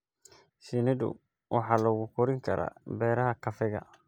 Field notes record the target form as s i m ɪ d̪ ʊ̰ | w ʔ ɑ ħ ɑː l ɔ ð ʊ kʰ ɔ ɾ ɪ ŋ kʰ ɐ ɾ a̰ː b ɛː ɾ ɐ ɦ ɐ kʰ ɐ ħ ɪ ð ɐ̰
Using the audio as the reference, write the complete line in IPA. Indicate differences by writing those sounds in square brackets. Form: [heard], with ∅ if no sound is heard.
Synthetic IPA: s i [n] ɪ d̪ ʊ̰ | w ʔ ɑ ħ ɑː l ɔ [ɣ] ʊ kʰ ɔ ɾ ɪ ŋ kʰ ɐ ɾ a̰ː b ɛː ɾ ɐ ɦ ɐ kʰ ɐ [f] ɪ [ɣ] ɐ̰

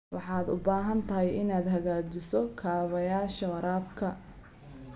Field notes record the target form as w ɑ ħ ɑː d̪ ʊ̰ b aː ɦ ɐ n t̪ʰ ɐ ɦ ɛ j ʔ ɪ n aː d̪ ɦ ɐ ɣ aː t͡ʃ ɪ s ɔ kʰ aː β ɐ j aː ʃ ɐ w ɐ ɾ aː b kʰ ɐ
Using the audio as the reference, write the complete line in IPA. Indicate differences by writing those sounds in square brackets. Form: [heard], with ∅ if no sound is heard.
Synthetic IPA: w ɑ ħ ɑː d̪ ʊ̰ b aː ɦ ɐ n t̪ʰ ɐ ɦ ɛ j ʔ ɪ n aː d̪ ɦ ɐ ɣ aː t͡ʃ ɪ s ɔ kʰ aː β ɐ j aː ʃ ɐ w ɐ ɾ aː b kʰ ɐ

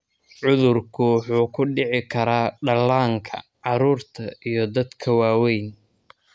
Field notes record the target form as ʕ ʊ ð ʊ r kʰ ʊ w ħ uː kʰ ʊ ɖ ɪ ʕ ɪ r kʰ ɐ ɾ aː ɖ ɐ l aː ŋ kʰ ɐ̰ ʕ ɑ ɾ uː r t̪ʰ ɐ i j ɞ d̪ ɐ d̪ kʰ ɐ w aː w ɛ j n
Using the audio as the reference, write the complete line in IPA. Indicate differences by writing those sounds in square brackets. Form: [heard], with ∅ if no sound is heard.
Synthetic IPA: ʕ ʊ ð ʊ r kʰ ʊ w ħ uː kʰ ʊ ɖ ɪ ʕ ɪ [∅] kʰ ɐ ɾ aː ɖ ɐ l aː ŋ kʰ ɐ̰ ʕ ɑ ɾ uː r t̪ʰ ɐ i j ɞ d̪ ɐ d̪ kʰ ɐ w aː w ɛ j n

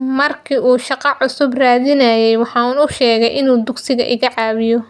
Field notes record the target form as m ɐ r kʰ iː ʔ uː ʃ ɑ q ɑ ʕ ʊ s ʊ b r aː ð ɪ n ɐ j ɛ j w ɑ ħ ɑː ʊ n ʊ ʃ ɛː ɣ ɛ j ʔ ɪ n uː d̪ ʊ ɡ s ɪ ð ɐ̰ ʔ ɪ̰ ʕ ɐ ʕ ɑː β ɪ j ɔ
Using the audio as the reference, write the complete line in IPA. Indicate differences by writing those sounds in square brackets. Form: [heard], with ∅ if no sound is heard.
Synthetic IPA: m ɐ r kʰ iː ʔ uː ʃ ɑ q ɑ ʕ ʊ s ʊ b r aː ð ɪ n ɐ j ɛ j w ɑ ħ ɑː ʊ n ʊ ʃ ɛː ɣ ɛ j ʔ ɪ n uː d̪ ʊ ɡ s ɪ [ɣ] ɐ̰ ʔ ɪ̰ [ɣ] ɐ ʕ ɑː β ɪ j ɔ

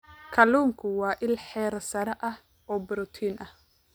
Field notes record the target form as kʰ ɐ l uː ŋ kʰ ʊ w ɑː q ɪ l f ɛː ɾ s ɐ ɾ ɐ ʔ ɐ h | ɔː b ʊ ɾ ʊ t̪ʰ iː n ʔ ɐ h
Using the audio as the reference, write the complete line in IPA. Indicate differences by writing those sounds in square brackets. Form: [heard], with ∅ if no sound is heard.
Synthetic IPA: kʰ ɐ l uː ŋ kʰ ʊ w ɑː [ʔ] ɪ l [ħ] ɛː ɾ s ɐ ɾ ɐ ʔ ɐ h | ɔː b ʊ ɾ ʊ t̪ʰ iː n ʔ ɐ h

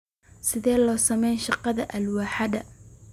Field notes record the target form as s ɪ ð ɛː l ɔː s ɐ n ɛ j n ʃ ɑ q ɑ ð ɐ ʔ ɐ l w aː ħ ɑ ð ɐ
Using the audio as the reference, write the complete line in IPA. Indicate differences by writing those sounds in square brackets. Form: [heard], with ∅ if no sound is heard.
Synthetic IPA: s ɪ ð ɛː l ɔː s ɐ [m] ɛ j n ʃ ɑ q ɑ ð ɐ ʔ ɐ l w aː ħ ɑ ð ɐ

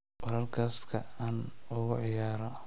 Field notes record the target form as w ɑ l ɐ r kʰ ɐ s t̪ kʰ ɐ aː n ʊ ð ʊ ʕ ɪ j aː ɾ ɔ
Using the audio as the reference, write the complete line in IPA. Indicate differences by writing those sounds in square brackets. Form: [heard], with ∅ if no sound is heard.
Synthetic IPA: w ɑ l ɐ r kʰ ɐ s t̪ kʰ ɐ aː n ʊ [ɣ] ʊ ʕ ɪ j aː ɾ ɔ

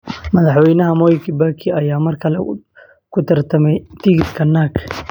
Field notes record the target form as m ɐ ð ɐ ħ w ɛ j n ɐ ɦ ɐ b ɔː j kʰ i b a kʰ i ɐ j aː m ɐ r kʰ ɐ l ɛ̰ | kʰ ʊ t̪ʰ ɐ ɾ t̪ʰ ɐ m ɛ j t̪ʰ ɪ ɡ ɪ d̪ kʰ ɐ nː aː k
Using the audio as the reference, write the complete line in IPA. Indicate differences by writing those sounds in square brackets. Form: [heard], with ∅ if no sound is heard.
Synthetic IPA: m ɐ ð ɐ ħ w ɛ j n ɐ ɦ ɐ [m] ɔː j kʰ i b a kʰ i ɐ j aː m ɐ r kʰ ɐ l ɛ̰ | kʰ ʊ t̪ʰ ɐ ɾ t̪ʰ ɐ m ɛ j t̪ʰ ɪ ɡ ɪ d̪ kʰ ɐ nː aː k

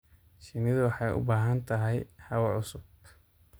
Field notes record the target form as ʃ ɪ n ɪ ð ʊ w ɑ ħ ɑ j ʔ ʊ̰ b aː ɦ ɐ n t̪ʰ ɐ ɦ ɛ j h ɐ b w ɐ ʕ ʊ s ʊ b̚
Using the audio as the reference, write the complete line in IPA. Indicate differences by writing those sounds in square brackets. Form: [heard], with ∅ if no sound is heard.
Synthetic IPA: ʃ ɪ n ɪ ð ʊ w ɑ ħ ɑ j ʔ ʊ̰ b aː ɦ ɐ n t̪ʰ ɐ ɦ ɛ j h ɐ [∅] w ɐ ʕ ʊ s ʊ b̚

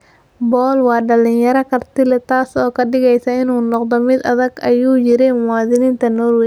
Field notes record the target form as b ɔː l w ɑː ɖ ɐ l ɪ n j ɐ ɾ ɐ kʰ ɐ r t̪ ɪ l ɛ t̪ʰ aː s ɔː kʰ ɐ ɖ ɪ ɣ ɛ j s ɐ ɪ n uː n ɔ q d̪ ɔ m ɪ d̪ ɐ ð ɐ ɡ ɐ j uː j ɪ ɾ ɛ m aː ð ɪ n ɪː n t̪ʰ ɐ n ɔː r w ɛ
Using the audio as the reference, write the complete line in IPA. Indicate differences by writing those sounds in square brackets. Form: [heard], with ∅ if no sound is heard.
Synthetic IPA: b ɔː l w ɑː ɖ ɐ l ɪ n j ɐ ɾ ɐ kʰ ɐ r t̪ ɪ l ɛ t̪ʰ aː s ɔː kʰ ɐ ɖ ɪ ɣ ɛ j s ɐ ɪ n uː n ɔ q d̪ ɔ m ɪ d̪ ɐ ð ɐ ɡ ɐ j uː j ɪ ɾ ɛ m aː ð ɪ n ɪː n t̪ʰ ɐ n ɔː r w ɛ

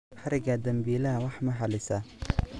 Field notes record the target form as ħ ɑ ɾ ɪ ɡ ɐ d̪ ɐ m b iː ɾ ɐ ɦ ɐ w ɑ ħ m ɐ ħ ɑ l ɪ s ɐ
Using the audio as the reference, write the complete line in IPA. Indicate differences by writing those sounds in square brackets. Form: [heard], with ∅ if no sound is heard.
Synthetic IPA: ħ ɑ ɾ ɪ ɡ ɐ d̪ ɐ m b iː [l] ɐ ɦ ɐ w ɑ ħ m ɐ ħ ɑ l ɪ s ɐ

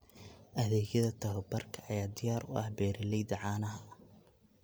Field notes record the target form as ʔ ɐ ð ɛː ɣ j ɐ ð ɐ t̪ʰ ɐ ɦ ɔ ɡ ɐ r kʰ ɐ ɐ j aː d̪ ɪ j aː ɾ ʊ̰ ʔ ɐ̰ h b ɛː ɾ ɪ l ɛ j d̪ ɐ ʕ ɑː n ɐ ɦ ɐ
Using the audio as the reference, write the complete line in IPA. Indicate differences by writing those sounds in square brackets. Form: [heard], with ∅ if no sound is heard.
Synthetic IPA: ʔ ɐ ð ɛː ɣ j ɐ ð ɐ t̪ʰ ɐ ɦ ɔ [b] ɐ r kʰ ɐ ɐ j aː d̪ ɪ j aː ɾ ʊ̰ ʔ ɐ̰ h b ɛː ɾ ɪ l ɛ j d̪ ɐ ʕ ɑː n ɐ ɦ ɐ

